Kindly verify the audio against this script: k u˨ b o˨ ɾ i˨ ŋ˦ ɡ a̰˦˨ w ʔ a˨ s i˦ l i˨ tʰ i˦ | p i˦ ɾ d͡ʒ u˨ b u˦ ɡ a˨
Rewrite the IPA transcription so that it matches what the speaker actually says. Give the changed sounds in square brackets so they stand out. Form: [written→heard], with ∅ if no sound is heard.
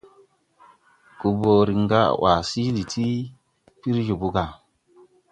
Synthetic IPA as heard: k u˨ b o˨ ɾ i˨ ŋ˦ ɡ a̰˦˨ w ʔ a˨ s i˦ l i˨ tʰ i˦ | p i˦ ɾ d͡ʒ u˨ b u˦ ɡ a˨